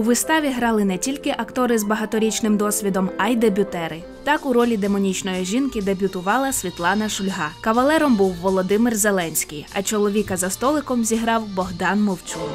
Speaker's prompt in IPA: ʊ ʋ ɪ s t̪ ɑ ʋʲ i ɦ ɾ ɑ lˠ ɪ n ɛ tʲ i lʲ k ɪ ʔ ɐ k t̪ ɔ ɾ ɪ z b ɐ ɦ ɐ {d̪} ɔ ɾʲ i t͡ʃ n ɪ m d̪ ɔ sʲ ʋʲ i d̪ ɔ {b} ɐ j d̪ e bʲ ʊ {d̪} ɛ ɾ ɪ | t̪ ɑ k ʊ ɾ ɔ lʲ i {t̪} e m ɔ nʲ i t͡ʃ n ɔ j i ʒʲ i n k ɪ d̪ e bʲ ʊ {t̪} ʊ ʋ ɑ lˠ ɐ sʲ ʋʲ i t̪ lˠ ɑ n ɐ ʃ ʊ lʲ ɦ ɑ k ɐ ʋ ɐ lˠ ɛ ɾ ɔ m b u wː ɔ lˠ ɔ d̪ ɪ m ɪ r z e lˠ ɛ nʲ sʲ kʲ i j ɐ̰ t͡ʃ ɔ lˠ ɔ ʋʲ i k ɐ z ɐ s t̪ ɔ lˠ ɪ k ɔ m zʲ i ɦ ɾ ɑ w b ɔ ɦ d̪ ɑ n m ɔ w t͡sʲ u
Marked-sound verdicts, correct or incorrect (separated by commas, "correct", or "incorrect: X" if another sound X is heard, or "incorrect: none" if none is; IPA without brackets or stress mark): incorrect: t̪, incorrect: m, incorrect: t̪, incorrect: d̪, correct